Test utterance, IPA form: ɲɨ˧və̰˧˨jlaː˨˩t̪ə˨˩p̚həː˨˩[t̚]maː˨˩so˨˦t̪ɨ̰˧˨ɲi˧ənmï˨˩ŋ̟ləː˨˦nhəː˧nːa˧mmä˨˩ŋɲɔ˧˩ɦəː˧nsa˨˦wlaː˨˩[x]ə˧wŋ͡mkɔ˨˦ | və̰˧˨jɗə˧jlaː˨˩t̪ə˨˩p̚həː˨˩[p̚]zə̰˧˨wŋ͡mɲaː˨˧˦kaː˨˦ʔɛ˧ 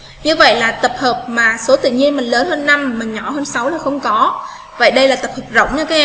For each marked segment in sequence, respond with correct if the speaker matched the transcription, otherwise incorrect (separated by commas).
incorrect, correct, correct